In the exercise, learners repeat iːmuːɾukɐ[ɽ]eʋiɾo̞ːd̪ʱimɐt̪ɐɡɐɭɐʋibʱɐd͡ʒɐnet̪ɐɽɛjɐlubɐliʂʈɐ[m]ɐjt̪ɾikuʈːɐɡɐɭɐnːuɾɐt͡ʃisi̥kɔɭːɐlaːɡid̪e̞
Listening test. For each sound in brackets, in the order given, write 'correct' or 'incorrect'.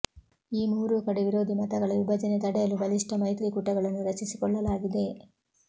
correct, correct

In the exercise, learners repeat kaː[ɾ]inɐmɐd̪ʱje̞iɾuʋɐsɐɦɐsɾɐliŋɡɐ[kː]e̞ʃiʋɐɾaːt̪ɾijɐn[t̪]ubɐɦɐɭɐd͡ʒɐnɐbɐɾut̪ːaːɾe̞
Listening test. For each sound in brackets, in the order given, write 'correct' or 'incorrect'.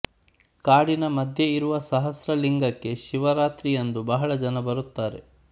incorrect: ɽ, correct, incorrect: d̪

